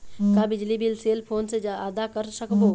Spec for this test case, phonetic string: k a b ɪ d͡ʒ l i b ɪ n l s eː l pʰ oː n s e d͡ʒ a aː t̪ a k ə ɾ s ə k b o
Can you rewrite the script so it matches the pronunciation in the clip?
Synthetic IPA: k a b ɪ d͡ʒ l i b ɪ l s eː l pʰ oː n s e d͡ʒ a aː d̪ a k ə ɾ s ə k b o